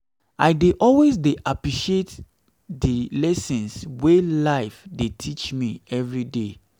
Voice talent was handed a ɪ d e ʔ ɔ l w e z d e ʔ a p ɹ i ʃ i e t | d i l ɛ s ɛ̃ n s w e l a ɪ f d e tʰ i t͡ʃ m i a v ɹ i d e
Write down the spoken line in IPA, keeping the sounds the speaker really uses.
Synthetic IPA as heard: a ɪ d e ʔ ɔ l w e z d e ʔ a p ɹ i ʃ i e t | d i l ɛ s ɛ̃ n s w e l a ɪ f d e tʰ i t͡ʃ m i ɛ v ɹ i d e